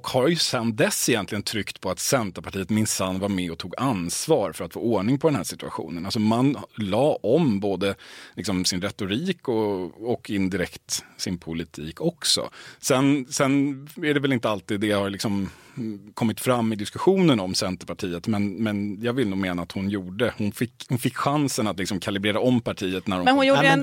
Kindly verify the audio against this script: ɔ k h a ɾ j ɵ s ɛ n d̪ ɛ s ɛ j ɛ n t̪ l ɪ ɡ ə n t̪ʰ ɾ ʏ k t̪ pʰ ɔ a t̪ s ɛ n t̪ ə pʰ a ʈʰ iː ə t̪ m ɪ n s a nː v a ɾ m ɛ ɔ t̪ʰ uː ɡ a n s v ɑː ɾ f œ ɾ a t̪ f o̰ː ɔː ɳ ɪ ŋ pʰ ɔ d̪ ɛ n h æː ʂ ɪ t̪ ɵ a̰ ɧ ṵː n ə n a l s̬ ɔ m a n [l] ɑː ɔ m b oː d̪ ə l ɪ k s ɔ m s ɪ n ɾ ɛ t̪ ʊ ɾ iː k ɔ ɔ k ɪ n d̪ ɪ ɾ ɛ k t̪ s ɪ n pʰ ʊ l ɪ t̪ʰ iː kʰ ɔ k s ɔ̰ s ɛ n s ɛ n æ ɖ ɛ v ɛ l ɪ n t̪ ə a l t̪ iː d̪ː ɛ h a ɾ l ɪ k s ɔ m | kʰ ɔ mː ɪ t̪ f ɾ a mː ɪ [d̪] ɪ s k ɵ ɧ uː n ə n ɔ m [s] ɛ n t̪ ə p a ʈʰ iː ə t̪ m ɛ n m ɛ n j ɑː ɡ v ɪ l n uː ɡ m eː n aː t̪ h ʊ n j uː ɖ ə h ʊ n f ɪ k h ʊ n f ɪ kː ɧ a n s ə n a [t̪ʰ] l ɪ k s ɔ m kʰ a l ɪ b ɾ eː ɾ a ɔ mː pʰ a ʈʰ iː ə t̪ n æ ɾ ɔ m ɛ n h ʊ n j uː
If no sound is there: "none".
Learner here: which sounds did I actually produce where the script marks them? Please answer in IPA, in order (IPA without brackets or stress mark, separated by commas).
l, d̪, s, t̪